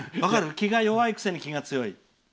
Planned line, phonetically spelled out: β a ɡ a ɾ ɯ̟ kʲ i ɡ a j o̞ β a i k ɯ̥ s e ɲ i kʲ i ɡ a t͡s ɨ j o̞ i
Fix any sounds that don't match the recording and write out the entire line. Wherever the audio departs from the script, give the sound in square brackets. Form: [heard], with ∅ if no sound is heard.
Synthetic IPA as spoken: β a [k] a ɾ ɯ̟ kʲ i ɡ a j o̞ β a i k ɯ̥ s e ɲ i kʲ i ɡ a t͡s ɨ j o̞ i